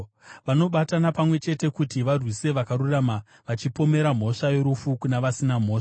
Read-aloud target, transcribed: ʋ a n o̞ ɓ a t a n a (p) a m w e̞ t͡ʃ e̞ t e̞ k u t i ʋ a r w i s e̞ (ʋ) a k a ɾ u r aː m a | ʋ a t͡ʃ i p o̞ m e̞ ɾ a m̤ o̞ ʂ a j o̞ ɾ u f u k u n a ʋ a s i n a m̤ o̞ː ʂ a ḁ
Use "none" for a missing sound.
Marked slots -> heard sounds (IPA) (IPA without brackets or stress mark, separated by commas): p, ʋ